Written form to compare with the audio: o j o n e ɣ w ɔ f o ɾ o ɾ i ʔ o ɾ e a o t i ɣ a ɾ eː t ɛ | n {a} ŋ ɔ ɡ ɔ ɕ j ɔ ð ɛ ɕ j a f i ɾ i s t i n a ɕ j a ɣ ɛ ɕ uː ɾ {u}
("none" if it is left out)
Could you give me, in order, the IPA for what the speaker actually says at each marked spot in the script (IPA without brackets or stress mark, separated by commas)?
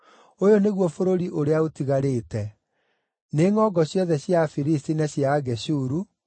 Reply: e, u